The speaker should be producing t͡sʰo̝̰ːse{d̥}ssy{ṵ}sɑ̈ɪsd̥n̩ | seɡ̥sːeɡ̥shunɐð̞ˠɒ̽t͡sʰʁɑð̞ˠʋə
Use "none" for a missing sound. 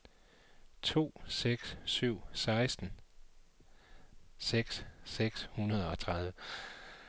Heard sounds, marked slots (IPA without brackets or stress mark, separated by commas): ɡ̥, ʊ̰